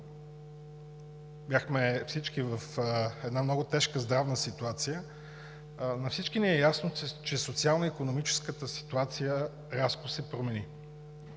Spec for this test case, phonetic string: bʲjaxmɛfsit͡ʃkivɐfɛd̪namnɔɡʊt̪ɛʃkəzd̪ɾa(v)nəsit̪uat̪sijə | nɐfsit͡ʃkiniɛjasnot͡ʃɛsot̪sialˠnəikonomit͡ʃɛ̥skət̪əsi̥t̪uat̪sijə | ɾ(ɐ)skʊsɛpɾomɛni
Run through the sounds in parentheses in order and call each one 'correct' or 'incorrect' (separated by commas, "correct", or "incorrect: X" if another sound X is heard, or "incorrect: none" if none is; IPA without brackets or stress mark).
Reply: correct, incorrect: a